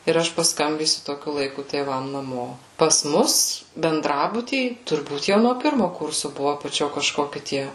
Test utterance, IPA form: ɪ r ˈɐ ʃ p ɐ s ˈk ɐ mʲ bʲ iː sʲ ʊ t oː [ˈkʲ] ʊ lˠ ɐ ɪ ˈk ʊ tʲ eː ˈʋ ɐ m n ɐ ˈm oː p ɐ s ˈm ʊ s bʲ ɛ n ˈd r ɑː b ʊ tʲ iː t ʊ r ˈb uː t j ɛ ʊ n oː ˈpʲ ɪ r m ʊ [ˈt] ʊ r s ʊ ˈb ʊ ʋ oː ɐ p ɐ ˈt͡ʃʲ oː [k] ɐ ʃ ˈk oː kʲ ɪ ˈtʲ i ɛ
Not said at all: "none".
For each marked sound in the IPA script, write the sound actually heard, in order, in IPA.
kʲ, k, k

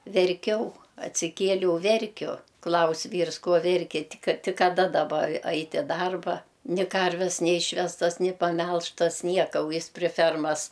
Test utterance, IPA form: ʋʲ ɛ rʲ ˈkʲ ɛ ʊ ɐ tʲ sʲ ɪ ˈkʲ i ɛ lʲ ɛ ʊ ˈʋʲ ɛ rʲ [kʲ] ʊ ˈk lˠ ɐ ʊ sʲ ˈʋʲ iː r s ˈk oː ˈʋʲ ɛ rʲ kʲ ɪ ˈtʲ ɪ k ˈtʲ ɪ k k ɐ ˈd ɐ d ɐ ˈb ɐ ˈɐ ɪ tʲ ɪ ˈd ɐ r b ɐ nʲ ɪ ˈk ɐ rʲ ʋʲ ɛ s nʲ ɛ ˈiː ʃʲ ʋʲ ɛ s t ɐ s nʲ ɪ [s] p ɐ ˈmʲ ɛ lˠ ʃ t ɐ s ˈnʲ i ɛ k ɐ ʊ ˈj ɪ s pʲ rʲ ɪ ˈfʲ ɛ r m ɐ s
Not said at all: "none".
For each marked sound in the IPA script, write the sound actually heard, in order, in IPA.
kʲ, none

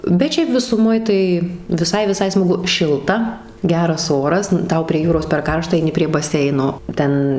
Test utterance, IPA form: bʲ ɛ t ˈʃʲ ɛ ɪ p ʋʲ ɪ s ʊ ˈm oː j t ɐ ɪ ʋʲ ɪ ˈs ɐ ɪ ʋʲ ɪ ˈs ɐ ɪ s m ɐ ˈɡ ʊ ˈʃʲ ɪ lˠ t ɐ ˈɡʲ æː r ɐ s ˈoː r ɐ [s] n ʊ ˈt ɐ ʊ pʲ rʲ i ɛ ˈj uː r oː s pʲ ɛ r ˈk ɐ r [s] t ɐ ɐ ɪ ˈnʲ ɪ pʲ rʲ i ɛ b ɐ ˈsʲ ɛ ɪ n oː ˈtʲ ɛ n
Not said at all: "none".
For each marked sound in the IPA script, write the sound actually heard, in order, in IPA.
s, ʃ

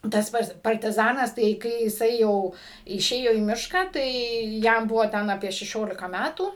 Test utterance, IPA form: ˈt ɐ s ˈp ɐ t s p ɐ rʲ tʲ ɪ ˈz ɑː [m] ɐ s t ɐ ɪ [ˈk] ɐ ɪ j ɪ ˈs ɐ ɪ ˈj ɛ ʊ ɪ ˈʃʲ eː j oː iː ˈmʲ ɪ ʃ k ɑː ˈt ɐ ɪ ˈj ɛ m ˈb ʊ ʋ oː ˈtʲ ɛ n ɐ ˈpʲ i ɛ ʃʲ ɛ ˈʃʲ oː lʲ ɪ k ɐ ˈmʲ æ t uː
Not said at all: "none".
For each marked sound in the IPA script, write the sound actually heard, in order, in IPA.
n, k

